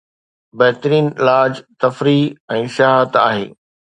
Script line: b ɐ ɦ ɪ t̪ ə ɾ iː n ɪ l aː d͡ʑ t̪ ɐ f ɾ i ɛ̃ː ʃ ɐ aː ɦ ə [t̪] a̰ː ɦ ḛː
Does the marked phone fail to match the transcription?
no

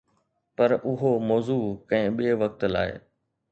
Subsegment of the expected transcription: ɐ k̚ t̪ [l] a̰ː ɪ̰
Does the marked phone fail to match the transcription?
no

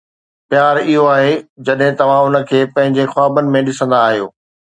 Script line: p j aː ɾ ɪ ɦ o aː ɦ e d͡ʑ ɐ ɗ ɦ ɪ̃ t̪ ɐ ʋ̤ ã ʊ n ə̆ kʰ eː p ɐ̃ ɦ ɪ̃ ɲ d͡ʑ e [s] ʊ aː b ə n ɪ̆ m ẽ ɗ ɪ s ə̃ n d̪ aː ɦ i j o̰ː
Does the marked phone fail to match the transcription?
yes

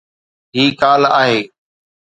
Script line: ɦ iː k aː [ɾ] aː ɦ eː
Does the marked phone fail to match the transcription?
yes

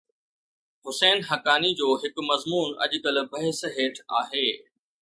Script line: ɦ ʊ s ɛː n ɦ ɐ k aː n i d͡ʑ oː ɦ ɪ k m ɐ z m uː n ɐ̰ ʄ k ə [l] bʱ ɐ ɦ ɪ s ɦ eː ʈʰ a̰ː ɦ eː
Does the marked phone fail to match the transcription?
no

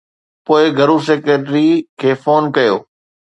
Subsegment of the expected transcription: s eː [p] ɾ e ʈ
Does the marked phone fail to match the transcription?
yes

